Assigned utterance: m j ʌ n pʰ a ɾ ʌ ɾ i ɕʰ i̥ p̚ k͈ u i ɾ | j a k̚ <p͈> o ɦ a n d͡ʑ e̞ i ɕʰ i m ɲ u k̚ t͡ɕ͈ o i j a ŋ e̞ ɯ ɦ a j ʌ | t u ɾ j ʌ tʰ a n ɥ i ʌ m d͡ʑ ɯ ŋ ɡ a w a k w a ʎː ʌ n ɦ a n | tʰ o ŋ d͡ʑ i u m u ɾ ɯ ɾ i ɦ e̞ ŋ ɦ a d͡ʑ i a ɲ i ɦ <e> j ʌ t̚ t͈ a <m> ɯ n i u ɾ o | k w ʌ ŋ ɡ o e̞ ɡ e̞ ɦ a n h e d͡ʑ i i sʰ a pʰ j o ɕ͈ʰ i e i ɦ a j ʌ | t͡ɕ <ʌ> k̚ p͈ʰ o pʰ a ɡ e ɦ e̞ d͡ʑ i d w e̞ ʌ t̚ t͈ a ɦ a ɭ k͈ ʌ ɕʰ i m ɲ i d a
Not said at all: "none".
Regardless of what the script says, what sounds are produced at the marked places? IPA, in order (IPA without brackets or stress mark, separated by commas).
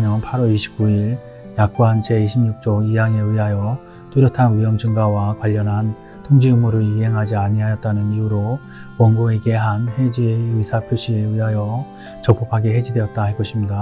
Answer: k͈, a, n, ʌ